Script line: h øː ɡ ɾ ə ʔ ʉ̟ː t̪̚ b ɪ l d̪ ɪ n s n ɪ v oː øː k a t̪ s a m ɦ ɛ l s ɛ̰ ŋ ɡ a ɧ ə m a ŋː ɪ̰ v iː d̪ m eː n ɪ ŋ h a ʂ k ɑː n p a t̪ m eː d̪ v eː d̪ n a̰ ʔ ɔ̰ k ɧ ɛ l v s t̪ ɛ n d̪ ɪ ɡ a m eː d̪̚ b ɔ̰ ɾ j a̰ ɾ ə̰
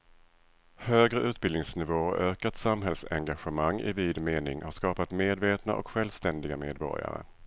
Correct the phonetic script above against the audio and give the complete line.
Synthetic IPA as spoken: h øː ɡ ɾ ə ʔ ʉ̟ː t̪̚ b ɪ l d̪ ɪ ŋ s n ɪ v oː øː k a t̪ s a m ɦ ɛ l s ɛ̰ ŋ ɡ a ɧ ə m a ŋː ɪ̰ v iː d̪ m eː n ɪ ŋ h a ʂ k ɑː p a t̪ m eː d̪ v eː t̪ n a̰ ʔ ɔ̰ k ɧ ɛ l v s t̪ ɛ n d̪ ɪ ɡ a m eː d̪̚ b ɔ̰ ɾ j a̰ ɾ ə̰